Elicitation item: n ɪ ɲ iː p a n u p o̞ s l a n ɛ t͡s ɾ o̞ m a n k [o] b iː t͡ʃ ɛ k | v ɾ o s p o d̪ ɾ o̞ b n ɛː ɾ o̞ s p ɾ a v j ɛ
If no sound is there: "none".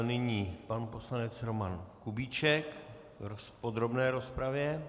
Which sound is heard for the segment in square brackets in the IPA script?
u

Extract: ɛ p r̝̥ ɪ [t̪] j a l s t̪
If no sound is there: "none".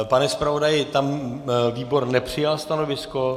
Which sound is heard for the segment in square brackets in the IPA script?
none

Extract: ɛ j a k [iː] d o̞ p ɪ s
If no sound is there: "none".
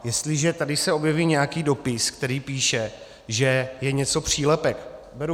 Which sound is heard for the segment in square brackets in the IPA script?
iː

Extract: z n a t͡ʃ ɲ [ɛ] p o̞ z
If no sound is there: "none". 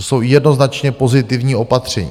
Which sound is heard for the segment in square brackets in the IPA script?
ɛ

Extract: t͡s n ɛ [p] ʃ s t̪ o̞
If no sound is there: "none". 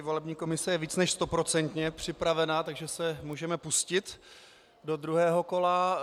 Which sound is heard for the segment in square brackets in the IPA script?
none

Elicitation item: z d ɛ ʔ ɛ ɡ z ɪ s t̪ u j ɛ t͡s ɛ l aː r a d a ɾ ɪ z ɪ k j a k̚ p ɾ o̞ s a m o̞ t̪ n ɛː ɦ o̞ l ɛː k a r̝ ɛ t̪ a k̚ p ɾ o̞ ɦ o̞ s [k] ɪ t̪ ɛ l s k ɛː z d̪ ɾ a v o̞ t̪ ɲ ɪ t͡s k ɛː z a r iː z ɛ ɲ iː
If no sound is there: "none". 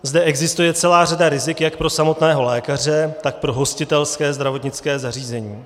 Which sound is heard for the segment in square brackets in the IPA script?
c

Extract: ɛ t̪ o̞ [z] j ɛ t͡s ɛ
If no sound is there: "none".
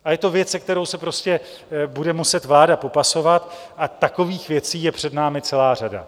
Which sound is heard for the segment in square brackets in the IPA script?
v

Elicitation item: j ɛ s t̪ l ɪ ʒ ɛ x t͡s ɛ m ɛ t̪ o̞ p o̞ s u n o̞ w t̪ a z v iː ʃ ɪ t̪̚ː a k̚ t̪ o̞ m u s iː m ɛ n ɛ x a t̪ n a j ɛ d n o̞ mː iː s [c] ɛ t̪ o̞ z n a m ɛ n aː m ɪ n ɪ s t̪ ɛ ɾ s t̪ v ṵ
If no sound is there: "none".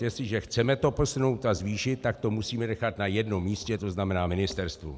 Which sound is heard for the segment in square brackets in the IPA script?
c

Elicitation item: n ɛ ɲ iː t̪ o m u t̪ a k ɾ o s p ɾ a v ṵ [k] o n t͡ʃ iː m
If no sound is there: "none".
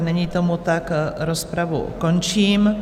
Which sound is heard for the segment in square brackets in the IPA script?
k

